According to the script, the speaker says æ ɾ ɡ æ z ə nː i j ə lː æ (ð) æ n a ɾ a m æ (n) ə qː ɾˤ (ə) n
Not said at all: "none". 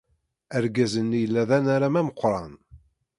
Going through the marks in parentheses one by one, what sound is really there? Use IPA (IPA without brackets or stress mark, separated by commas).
ð, m, ɑ